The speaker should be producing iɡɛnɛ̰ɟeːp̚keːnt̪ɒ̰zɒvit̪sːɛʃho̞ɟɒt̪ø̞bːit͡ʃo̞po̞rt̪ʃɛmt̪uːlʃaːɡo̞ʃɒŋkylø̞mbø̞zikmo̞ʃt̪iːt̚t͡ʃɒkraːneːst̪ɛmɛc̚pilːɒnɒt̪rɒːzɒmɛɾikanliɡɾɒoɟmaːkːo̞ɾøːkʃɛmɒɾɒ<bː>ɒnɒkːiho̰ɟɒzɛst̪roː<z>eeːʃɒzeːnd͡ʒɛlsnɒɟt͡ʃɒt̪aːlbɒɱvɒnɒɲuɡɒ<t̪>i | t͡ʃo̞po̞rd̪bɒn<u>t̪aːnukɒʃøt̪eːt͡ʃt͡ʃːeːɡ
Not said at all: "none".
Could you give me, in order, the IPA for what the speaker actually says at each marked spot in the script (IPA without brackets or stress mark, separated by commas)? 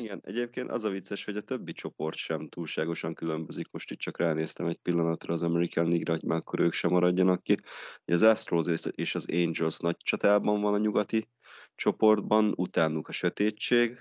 ɟː, z, t̪, u